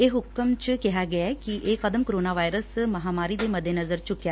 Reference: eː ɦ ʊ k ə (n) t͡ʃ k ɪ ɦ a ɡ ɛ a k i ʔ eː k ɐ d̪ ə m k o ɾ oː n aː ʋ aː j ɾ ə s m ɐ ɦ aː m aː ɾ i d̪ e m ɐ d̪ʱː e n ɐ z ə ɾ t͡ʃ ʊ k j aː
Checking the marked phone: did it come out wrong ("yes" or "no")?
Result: yes